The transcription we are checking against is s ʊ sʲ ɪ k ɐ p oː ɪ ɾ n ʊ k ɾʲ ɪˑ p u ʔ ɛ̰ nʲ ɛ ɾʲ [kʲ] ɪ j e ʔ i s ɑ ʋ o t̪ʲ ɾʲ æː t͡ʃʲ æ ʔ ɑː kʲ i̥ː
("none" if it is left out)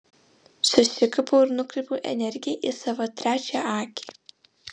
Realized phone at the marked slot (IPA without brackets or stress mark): ɡʲ